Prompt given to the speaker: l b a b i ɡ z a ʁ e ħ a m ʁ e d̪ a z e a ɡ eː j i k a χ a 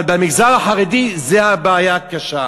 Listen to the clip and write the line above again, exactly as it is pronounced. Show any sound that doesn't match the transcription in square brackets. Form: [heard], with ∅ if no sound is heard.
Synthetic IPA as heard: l b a [m] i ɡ z a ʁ [a] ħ a [∅] ʁ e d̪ [i] z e a [b] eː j [a] k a [ʃ] a